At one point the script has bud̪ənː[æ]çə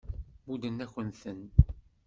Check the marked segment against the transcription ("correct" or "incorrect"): correct